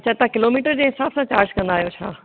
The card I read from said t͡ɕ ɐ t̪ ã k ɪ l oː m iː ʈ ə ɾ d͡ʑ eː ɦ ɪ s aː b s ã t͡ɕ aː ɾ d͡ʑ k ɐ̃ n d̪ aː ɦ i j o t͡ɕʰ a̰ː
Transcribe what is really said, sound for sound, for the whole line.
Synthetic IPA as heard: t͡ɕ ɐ t̪ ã k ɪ l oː m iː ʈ ə ɾ d͡ʑ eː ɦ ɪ s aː b s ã t͡ɕ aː ɾ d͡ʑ k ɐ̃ n d̪ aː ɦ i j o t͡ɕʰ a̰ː